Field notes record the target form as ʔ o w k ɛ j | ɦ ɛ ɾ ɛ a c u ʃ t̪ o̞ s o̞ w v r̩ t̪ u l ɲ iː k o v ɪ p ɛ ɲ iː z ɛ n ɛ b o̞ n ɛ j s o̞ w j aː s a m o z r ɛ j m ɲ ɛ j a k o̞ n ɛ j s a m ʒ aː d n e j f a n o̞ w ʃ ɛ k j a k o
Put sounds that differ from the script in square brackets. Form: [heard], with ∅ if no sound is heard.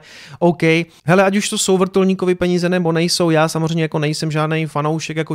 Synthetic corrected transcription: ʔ o w k ɛ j | ɦ ɛ [l] ɛ a c u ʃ t̪ o̞ s o̞ w v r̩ t̪ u l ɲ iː k o v ɪ p ɛ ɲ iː z ɛ n ɛ b o̞ n ɛ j s o̞ w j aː s a m o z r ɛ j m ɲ ɛ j a k o̞ n ɛ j s [ɛ] m ʒ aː d n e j f a n o̞ w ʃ ɛ k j a k o